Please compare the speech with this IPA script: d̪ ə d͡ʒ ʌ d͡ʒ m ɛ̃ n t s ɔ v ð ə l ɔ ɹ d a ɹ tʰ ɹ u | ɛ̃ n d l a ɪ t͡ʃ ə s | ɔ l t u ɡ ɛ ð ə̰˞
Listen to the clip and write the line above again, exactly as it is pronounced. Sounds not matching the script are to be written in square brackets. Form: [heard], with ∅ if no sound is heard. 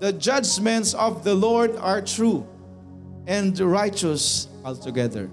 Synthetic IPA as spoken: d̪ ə d͡ʒ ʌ d͡ʒ m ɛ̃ n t s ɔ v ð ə l ɔ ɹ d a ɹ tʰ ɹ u | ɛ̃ n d [ɹ] a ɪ t͡ʃ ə s | ɔ l t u ɡ ɛ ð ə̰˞